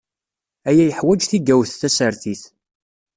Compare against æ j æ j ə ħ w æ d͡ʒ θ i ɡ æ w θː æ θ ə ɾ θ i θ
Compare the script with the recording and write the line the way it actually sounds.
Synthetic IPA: æ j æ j ə ħ w æ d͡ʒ θ i ɡ æ w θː æ s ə ɾ θ i θ